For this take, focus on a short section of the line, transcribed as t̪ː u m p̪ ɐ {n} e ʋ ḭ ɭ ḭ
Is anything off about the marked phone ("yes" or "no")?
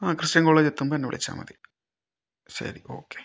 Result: yes